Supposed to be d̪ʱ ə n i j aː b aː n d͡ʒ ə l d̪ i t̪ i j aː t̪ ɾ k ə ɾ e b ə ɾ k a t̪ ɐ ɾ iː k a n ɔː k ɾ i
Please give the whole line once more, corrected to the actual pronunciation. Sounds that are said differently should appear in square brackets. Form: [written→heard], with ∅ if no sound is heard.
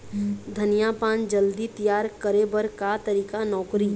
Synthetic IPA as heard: d̪ʱ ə n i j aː [b→p] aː n d͡ʒ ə l d̪ i t̪ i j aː [t̪→∅] ɾ k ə ɾ e b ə ɾ k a t̪ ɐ ɾ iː k a n ɔː k ɾ i